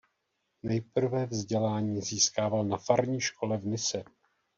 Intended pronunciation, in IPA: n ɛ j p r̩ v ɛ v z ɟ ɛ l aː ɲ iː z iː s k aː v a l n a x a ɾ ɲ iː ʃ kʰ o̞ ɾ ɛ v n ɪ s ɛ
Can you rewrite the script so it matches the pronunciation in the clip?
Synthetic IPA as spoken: n ɛ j p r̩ v ɛ v z ɟ ɛ l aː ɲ iː z iː s k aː v a l n a f a ɾ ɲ iː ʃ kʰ o̞ l ɛ v n ɪ s ɛ